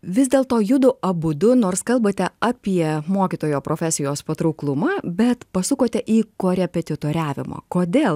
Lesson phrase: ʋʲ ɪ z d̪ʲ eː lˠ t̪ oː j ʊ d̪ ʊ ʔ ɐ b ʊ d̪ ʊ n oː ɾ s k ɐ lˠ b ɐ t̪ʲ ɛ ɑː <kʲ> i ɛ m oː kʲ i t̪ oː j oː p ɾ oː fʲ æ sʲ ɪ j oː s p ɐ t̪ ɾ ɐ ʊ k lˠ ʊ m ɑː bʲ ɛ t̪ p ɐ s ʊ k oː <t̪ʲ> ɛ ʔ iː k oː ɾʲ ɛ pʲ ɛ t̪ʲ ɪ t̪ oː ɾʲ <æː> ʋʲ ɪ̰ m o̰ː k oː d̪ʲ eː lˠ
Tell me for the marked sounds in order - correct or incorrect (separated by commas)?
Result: incorrect, correct, correct